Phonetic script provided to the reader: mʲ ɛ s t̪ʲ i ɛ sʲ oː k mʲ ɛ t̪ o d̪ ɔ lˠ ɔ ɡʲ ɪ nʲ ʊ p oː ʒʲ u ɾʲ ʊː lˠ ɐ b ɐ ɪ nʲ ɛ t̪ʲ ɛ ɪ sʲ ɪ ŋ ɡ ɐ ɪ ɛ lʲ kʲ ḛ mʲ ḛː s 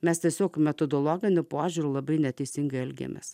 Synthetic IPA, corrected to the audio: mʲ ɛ s t̪ʲ i ɛ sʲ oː k mʲ ɛ t̪ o d̪ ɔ lˠ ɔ ɡʲ ɪ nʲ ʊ p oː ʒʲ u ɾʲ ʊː lˠ ɐ b ɐ ɪ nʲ ɛ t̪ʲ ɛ ɪ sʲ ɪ ŋ ɡ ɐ ɪ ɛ lʲ ɡʲ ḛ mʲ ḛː s